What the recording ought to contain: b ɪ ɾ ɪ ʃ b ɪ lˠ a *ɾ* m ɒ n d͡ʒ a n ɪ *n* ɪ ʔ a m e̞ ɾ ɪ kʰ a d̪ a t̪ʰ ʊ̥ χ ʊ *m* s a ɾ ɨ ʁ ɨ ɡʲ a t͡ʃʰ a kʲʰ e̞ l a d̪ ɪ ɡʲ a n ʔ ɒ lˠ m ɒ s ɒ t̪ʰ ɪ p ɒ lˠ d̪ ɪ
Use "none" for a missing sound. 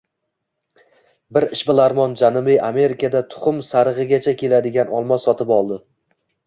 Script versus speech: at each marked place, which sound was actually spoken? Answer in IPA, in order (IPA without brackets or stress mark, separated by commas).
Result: ɾ, m, m